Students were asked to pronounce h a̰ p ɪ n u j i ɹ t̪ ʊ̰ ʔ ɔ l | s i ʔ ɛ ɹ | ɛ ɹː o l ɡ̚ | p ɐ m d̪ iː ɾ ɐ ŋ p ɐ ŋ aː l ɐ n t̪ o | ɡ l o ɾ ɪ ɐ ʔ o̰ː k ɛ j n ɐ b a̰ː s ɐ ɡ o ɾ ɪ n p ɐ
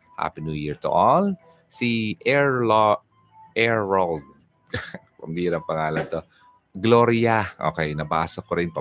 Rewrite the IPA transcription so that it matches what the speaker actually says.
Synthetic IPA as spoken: h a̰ p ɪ n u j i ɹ t̪ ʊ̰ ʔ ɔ l | s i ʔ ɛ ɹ | ɛ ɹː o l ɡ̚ | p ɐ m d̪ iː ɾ ɐ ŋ p ɐ ŋ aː l ɐ n t̪ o | ɡ l o ɾ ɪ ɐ ʔ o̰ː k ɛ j n ɐ b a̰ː s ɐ k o ɾ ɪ n p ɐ